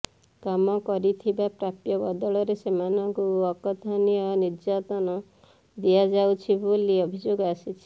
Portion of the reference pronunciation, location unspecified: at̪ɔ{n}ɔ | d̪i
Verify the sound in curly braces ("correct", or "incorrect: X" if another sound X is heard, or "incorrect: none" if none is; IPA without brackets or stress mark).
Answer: correct